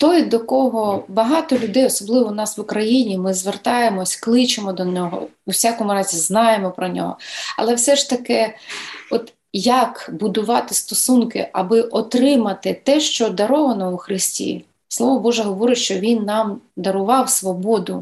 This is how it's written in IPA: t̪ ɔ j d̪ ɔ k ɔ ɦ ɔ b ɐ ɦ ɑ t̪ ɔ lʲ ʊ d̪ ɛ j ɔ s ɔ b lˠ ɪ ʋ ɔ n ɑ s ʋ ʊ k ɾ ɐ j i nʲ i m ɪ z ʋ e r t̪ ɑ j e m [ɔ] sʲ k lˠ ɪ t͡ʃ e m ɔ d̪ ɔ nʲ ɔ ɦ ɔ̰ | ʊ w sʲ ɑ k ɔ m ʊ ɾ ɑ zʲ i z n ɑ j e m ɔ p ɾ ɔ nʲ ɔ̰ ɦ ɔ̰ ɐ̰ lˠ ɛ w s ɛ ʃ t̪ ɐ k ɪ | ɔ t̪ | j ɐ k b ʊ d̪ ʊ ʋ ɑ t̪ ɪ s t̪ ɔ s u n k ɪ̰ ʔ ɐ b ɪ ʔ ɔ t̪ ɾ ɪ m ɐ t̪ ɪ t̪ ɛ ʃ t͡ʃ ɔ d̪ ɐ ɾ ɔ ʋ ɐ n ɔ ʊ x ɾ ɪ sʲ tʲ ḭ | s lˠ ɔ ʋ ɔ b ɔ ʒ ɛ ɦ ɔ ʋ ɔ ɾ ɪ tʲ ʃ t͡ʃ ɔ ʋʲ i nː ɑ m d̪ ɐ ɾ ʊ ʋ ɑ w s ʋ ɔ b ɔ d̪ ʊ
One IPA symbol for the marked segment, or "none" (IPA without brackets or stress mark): ɔ